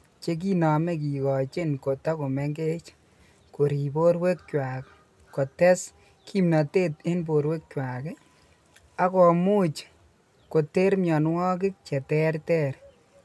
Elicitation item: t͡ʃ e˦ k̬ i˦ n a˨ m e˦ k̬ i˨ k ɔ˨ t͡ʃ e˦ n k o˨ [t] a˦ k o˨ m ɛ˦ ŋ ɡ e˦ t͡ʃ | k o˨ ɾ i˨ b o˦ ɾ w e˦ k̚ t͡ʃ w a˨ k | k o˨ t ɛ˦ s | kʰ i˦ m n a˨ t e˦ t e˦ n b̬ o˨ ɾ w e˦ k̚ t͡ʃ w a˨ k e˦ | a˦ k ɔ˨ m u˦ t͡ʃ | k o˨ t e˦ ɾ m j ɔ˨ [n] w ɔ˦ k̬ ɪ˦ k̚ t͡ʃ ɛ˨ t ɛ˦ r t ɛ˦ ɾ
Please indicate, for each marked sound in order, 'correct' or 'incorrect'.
correct, correct

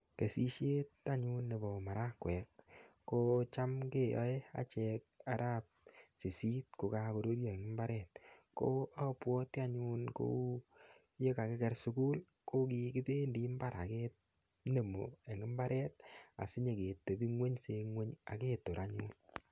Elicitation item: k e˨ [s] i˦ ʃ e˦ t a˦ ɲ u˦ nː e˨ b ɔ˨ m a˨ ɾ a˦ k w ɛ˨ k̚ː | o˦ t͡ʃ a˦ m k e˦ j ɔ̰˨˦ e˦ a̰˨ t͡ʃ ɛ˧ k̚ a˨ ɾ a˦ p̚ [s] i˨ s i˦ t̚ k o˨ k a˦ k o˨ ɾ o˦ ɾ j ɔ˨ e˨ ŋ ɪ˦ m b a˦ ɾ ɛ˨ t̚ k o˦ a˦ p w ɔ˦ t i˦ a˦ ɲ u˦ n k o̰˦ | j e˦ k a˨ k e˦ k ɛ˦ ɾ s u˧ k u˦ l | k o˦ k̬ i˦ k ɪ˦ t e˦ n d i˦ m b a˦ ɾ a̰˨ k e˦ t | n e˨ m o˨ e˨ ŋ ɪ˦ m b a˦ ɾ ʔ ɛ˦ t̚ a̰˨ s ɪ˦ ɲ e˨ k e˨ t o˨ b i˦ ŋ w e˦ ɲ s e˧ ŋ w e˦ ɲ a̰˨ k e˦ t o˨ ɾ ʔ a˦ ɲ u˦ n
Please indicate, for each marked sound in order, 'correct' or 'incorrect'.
correct, correct

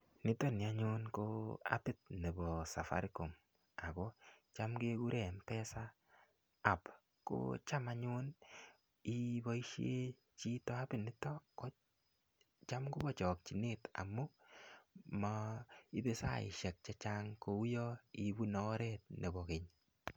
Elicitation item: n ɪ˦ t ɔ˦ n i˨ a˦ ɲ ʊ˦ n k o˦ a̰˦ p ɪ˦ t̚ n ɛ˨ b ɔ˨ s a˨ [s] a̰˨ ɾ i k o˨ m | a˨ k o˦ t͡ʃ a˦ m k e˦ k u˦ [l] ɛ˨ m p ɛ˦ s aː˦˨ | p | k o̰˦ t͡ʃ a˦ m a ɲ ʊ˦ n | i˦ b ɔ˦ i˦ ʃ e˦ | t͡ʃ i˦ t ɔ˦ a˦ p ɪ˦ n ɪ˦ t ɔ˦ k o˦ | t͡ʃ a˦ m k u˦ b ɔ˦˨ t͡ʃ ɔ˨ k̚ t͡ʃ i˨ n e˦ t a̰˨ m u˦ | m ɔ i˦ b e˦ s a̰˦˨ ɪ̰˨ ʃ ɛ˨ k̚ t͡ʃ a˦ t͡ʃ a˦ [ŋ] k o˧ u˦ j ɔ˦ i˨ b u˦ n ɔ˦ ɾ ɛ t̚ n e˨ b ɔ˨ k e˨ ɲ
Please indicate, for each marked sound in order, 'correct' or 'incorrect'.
incorrect: f, incorrect: ɾ, correct

